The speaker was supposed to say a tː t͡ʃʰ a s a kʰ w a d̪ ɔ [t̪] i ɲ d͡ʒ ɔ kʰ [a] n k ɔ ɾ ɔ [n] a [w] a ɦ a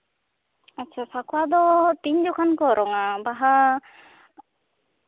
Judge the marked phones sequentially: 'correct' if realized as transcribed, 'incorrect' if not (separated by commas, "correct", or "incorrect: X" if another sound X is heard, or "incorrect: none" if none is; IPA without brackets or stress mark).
correct, correct, incorrect: ŋ, incorrect: b